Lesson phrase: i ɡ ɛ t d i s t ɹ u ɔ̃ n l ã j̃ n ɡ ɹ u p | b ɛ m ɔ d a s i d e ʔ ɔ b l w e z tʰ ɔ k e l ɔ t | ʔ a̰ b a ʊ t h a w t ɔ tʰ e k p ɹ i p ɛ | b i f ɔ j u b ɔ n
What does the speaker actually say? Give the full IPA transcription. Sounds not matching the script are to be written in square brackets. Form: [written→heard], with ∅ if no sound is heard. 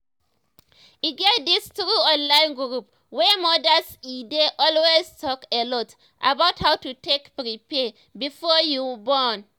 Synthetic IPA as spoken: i ɡ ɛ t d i s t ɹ u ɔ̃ n l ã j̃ n ɡ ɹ u p | [b→w] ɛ m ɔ d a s i d e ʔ ɔ [b→∅] l w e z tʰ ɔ k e l ɔ t | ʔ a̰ b a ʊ t h a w t [ɔ→u] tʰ e k p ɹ i p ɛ | b i f ɔ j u b ɔ n